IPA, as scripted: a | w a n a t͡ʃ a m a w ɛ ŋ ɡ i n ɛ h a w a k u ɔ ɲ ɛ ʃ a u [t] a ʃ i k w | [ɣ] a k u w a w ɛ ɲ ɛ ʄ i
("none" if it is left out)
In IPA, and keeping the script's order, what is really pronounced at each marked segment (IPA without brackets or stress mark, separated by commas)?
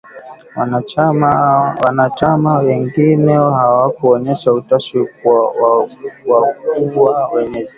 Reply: t, w